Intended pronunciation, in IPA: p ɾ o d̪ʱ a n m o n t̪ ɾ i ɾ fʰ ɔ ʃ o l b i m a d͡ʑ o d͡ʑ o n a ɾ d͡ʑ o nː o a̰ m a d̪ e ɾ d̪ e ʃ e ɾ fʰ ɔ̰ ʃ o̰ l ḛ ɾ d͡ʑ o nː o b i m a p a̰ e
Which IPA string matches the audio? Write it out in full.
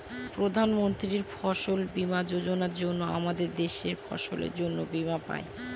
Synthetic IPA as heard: p ɾ o d̪ʱ a n m o n t̪ ɾ i ɾ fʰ ɔ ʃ o l b i m a d͡ʑ o d͡ʑ o n a ɾ d͡ʑ o nː o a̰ m a d̪ e ɾ d̪ e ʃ e ɾ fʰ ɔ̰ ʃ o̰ l ḛ ɾ d͡ʑ o nː o b i m a p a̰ e